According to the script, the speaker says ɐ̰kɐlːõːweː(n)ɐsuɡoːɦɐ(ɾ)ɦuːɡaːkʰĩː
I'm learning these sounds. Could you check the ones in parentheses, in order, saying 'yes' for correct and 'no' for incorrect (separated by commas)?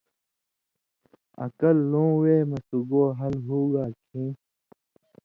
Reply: no, no